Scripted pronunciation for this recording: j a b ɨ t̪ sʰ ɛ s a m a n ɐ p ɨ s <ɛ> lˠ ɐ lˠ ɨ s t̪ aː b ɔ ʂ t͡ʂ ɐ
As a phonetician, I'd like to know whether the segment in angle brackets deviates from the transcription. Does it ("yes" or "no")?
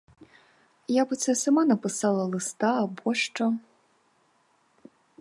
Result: yes